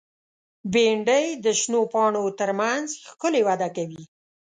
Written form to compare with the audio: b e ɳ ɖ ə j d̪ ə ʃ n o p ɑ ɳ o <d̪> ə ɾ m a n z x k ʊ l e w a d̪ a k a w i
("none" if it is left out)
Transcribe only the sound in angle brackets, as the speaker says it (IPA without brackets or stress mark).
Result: t̪